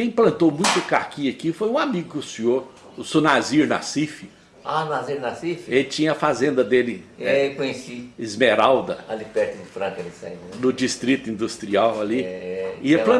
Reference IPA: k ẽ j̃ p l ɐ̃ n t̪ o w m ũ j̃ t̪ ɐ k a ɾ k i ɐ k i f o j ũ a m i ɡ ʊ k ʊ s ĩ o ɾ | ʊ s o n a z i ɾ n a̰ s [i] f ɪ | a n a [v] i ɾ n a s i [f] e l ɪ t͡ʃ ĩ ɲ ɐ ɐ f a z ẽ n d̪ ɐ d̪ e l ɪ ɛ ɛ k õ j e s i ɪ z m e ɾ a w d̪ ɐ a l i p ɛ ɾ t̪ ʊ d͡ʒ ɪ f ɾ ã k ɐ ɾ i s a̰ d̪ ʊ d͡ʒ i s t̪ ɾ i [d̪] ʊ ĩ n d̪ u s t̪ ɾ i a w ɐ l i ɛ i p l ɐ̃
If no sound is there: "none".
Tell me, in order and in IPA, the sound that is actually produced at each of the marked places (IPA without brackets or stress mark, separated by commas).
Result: i, z, f, t̪